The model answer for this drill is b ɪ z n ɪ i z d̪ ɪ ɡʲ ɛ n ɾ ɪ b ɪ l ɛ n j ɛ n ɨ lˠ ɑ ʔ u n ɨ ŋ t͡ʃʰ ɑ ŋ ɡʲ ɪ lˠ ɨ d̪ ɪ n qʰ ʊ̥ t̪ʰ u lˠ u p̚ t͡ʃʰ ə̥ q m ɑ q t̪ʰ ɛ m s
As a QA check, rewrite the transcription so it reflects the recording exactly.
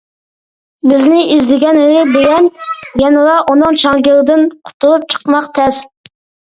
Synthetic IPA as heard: b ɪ z n ɪ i z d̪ ɪ ɡʲ ɛ n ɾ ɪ b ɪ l ɛ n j ɛ n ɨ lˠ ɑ ʔ u n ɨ ŋ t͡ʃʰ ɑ ŋ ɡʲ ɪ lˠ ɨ d̪ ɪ n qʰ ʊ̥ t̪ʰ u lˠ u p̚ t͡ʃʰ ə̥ q m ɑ q t̪ʰ ɛ s